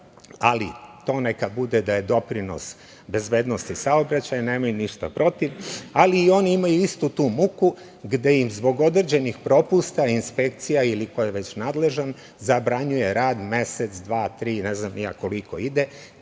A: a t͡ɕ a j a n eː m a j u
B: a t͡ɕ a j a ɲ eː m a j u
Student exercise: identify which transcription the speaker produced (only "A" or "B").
A